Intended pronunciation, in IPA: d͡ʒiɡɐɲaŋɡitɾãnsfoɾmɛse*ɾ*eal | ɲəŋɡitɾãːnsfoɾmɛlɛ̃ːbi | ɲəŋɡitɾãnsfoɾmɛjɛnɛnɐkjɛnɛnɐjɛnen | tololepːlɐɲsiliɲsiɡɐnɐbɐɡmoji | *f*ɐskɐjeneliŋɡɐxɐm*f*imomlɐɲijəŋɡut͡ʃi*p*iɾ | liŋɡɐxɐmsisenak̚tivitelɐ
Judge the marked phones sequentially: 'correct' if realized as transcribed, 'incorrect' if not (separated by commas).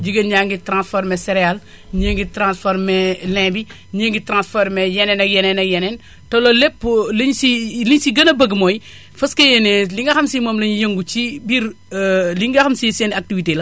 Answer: correct, correct, incorrect, incorrect